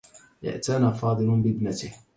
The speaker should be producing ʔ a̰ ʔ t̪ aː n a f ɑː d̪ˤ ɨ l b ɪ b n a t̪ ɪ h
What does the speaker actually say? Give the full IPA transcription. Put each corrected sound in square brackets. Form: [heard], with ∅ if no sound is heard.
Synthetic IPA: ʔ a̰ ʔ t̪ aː n a f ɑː d̪ˤ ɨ l b ɪ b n a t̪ ɪ h

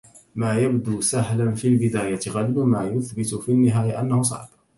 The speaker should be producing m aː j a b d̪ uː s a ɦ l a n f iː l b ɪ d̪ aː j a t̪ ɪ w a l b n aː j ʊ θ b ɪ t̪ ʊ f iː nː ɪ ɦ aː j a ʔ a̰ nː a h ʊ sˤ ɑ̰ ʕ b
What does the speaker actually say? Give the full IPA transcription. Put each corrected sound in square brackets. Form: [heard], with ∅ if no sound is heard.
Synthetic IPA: m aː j a b d̪ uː s a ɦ l a n f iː l b ɪ d̪ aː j a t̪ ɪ [ɣ] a l b [m] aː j ʊ θ b ɪ t̪ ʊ f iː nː ɪ ɦ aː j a ʔ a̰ nː a h ʊ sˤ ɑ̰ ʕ b

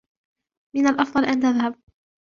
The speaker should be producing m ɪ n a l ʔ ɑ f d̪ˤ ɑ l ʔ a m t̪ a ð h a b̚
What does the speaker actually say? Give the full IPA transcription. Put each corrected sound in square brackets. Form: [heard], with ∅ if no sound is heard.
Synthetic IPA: m ɪ n a l ʔ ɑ f d̪ˤ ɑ l ʔ a [n] t̪ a ð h a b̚

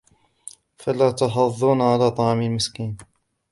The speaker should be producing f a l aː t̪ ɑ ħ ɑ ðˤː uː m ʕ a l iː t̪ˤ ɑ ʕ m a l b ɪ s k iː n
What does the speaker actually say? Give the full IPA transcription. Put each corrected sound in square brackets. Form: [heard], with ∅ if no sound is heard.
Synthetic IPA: f a l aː t̪ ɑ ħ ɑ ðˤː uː [n] ʕ a l [aː] t̪ˤ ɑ ʕ m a l [m] ɪ s k iː n

